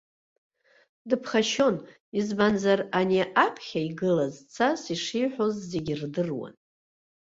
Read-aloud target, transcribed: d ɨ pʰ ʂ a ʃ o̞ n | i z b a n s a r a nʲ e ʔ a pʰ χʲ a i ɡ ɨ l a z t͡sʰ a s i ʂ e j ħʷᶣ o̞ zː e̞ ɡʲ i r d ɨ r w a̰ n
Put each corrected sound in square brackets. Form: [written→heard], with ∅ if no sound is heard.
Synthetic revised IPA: d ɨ pʰ [ʂ→χ] a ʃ o̞ n | i z b a n [s→z] a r a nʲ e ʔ a pʰ χʲ a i ɡ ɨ l a z t͡sʰ a s i ʂ [e→i] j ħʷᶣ o̞ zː e̞ ɡʲ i r d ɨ r w a̰ n